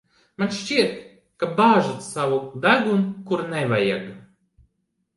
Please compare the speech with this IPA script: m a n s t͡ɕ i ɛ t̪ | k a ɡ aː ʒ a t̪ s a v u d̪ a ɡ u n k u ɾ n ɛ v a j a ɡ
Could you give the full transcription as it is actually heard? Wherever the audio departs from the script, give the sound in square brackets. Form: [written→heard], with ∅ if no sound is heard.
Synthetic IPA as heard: m a n [s→ʃ] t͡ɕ i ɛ t̪ | k a [ɡ→b] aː ʒ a t̪ s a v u d̪ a ɡ u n k u ɾ n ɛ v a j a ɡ